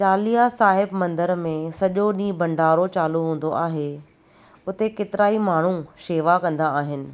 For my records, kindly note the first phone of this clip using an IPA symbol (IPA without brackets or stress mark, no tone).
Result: t͡ɕ